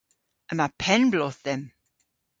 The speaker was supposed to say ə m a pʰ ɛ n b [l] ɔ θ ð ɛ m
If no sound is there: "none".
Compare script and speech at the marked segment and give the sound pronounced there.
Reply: l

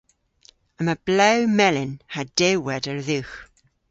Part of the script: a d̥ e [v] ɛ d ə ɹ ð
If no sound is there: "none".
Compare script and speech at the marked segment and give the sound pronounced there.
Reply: w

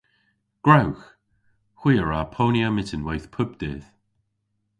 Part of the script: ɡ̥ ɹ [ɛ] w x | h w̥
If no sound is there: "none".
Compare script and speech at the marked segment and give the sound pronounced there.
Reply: a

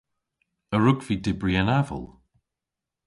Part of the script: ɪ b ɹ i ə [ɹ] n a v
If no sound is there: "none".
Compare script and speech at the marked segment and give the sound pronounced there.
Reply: none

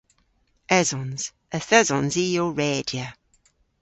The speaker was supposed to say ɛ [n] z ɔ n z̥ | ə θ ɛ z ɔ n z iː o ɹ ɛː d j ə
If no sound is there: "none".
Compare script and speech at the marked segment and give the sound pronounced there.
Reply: none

